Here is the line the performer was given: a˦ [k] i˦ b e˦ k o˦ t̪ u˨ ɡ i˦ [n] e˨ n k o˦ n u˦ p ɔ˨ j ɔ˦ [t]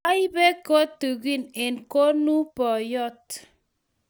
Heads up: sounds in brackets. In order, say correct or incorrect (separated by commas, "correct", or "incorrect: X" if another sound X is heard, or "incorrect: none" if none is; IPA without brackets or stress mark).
incorrect: none, correct, correct